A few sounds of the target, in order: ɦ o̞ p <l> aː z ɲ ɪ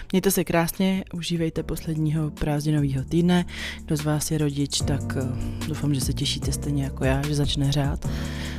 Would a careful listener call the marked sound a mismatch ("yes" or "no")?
yes